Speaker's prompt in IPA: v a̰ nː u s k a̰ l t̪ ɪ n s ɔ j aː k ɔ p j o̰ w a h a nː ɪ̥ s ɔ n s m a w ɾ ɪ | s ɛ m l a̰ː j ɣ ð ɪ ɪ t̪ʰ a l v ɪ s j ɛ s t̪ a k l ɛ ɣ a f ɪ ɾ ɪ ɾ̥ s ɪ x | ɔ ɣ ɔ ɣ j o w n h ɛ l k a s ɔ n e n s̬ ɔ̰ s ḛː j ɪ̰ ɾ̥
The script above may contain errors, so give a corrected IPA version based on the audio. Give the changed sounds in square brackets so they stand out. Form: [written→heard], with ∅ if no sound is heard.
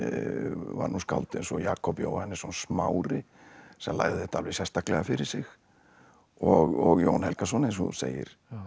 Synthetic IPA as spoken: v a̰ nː u s k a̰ l t̪ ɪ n s ɔ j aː k ɔ p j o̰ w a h [a→ɛ] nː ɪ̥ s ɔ n s m a w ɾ ɪ | s ɛ m l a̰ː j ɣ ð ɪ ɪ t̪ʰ a l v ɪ s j ɛ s t̪ a k l ɛ ɣ a f ɪ ɾ ɪ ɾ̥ s ɪ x | ɔ ɣ ɔ ɣ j o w n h ɛ l k a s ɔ n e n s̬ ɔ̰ s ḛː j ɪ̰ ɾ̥